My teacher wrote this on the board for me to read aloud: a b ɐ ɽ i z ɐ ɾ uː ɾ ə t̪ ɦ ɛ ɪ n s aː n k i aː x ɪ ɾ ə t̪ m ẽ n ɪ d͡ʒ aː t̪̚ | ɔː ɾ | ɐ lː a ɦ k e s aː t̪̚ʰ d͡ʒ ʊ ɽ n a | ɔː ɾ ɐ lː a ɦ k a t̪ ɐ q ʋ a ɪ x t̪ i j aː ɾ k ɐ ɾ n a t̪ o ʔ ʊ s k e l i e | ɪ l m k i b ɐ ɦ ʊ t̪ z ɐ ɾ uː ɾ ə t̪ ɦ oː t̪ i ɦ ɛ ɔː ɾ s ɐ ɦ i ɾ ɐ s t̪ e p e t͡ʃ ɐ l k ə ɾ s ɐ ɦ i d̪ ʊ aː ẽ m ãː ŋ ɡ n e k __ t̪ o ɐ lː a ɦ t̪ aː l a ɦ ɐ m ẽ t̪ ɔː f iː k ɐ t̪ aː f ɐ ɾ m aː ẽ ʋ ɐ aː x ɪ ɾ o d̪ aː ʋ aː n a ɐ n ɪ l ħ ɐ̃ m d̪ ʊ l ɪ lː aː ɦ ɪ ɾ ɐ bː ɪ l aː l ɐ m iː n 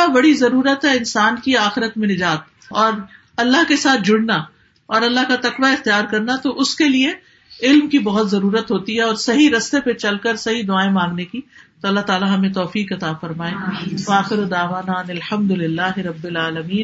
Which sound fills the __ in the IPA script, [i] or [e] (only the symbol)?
i